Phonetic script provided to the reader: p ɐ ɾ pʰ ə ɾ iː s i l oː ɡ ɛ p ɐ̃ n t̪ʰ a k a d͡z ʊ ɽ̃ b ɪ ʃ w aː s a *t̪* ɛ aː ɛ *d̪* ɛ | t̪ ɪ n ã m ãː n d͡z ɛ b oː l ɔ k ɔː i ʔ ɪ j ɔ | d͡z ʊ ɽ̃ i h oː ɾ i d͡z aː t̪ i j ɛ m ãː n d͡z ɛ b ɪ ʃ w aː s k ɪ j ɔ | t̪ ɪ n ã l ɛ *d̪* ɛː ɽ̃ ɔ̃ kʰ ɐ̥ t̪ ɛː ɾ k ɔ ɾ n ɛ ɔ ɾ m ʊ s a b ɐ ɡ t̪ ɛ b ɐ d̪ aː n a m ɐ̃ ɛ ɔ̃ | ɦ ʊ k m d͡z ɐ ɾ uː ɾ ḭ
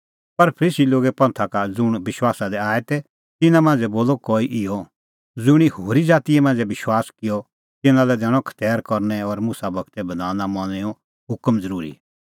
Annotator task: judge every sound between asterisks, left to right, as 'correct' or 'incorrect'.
incorrect, incorrect, correct

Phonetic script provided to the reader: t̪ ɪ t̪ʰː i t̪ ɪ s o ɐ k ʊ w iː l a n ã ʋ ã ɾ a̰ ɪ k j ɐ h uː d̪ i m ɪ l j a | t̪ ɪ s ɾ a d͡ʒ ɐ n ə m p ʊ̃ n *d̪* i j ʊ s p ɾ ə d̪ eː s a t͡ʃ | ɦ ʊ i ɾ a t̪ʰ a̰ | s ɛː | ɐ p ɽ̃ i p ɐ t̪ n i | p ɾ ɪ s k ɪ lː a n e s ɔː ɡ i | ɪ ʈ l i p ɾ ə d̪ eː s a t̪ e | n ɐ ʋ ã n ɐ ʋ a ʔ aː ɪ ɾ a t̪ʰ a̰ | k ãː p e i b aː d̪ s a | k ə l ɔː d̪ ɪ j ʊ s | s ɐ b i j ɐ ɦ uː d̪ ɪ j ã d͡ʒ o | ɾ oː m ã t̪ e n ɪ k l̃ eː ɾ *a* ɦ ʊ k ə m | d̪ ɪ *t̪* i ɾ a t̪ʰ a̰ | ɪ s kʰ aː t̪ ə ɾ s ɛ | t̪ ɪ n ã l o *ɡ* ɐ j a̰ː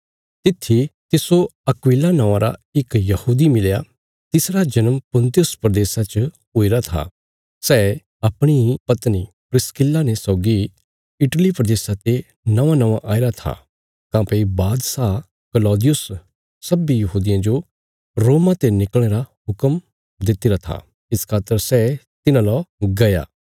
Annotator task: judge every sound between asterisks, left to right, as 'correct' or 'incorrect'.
incorrect, correct, correct, correct

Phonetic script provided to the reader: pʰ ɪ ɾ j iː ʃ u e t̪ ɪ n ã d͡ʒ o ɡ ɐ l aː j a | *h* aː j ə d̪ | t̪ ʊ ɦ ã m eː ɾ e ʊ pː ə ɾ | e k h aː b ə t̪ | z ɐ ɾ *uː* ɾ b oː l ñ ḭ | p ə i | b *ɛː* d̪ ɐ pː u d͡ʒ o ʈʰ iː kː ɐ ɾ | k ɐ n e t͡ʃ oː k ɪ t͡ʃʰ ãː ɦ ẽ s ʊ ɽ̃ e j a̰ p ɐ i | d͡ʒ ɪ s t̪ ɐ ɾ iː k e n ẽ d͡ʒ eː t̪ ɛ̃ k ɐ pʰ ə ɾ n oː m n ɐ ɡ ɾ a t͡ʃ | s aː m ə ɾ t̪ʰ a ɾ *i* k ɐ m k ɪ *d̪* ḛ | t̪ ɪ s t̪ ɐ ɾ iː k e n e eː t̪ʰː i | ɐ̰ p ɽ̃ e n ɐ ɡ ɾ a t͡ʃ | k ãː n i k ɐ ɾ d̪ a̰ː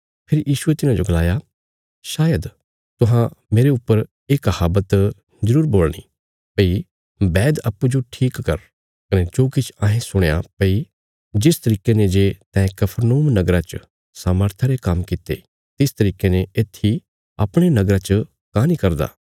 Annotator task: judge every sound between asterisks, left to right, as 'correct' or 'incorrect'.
incorrect, correct, correct, incorrect, incorrect

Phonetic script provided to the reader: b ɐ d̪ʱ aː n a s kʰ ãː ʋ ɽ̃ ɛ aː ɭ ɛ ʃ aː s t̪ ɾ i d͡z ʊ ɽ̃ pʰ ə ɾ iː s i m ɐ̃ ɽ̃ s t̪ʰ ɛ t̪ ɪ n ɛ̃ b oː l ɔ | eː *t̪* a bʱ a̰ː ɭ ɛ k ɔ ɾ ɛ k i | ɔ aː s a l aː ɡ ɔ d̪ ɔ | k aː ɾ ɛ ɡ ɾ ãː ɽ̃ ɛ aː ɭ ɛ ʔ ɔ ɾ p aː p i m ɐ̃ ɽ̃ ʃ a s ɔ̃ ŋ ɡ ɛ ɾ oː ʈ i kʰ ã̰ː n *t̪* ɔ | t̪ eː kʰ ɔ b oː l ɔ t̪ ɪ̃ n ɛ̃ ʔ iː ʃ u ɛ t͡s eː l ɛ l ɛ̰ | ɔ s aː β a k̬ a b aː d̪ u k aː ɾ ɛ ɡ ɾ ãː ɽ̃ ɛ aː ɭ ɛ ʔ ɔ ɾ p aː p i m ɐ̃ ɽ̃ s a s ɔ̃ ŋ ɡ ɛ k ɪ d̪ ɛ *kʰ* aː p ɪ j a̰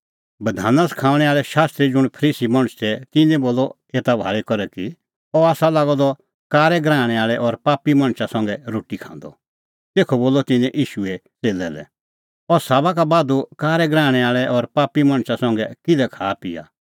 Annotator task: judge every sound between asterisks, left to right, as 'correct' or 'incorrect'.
correct, incorrect, correct

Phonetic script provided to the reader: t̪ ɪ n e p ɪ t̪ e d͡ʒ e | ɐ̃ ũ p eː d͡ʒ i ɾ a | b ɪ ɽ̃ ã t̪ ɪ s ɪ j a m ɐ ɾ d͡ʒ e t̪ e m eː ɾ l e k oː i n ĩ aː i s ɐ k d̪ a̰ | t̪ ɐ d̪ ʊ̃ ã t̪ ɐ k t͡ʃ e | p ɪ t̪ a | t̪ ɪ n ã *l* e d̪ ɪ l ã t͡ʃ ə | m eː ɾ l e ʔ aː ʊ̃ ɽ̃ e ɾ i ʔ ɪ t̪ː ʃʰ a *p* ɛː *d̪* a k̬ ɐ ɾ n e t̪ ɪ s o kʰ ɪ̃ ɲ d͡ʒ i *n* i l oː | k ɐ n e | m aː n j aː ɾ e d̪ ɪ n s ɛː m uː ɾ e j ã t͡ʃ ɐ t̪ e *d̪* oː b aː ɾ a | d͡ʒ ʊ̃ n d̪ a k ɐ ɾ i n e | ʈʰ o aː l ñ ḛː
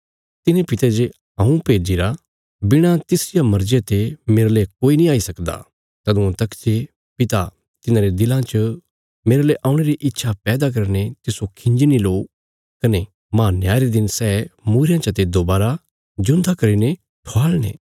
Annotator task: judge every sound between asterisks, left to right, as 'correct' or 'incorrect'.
incorrect, correct, correct, correct, correct

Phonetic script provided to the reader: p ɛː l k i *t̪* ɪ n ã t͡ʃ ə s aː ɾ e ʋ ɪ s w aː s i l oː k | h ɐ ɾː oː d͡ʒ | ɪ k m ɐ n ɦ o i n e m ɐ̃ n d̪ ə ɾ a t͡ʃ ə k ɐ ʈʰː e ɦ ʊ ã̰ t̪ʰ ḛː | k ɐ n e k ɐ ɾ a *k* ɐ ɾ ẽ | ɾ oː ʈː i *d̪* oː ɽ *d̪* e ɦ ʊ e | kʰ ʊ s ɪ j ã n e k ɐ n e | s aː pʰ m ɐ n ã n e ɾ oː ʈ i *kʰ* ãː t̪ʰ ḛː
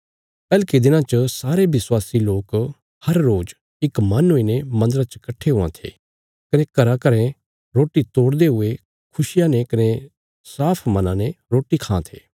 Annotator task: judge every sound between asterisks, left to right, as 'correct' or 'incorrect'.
incorrect, correct, incorrect, correct, correct

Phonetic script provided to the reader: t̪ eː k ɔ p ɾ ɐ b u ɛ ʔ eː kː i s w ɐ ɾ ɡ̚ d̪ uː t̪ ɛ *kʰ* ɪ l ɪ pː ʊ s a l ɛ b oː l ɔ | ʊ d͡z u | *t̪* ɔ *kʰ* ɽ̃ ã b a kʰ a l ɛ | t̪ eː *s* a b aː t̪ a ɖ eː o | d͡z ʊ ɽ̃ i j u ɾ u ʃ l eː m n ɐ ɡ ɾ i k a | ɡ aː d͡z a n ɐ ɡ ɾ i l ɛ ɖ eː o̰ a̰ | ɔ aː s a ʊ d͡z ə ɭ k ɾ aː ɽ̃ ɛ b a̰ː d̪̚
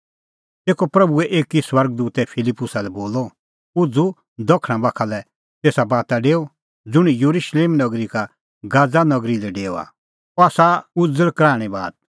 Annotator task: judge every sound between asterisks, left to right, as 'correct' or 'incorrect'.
incorrect, incorrect, correct, correct

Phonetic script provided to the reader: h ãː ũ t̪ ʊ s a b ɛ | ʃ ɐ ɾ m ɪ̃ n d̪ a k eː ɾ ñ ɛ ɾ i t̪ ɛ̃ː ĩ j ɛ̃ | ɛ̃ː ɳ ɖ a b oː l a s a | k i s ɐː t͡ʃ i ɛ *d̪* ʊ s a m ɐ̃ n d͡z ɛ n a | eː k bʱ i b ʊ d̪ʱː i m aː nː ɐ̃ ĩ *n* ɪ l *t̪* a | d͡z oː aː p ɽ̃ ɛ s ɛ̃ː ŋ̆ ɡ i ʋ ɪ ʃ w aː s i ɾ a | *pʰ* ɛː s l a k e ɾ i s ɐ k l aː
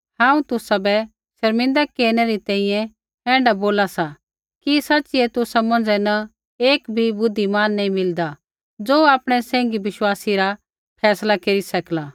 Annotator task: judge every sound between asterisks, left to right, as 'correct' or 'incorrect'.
incorrect, incorrect, incorrect, correct

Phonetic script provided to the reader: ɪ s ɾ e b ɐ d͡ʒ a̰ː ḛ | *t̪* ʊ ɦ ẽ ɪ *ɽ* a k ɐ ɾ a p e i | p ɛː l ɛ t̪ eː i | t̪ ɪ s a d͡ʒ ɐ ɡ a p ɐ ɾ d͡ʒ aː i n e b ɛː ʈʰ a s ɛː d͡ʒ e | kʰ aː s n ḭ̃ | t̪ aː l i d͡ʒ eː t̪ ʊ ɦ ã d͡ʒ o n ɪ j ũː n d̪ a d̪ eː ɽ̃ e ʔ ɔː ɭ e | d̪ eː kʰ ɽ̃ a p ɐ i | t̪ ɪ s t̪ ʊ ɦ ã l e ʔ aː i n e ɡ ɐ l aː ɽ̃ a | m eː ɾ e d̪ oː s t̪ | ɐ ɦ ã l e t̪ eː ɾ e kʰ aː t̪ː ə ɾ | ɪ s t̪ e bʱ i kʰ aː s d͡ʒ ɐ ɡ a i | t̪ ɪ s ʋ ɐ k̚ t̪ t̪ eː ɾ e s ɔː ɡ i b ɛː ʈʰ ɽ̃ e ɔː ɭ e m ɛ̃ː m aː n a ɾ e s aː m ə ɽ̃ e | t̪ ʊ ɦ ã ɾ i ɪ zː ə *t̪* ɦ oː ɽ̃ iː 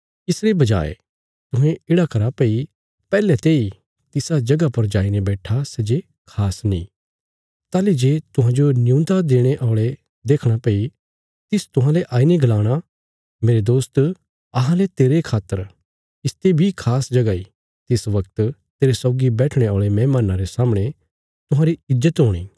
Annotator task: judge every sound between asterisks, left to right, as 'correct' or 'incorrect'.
correct, correct, correct

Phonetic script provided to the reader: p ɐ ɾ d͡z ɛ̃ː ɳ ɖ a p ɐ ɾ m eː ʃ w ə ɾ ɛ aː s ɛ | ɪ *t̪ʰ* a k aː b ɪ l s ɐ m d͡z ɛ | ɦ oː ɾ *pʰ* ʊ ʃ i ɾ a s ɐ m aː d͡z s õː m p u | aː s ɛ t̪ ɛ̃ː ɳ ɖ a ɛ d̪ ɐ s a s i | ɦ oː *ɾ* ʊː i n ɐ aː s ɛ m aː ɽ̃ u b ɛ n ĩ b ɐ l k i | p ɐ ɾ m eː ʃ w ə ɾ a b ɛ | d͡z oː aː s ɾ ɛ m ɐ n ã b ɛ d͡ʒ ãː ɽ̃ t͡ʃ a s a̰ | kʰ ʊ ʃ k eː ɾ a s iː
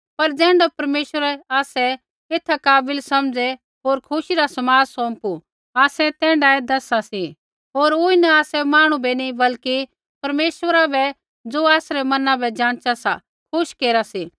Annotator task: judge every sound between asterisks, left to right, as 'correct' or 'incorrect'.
correct, incorrect, correct

